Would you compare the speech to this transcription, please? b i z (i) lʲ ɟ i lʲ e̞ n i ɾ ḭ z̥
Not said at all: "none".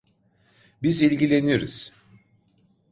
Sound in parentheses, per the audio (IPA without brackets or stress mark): i